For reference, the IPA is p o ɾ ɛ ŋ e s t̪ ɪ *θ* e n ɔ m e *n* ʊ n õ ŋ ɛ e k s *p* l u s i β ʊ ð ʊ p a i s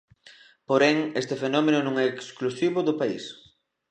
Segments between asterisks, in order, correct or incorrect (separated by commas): incorrect, correct, incorrect